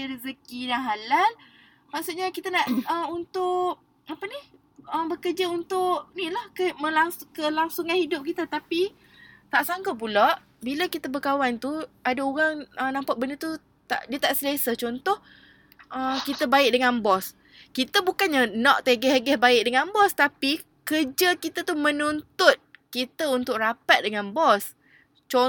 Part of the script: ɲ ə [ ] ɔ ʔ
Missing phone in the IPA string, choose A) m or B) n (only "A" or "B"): B